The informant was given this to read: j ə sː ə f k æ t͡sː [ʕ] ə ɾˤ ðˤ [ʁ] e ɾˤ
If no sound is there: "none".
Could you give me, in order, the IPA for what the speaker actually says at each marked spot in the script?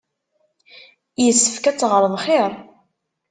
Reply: ʁ, χ

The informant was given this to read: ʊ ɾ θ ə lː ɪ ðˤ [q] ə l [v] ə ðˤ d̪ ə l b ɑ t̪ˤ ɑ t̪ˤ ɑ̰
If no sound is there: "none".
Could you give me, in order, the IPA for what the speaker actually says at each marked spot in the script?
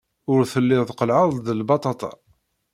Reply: q, ʕ

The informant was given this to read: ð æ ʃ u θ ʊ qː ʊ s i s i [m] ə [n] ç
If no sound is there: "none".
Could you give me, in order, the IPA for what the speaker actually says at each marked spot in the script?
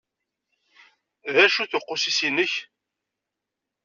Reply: n, none

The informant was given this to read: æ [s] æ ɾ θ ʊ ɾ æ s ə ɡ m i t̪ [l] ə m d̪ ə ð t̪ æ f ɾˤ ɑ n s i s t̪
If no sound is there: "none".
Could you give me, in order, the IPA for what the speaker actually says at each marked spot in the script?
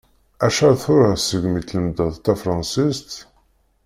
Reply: ʃ, l

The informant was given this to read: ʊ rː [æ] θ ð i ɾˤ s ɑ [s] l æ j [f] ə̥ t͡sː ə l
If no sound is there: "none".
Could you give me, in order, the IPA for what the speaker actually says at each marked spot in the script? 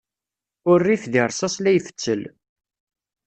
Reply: i, s, f

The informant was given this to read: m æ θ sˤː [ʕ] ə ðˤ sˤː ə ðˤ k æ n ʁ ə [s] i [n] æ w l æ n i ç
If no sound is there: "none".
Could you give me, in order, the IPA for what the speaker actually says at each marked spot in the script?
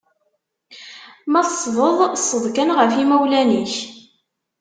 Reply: v, f, m

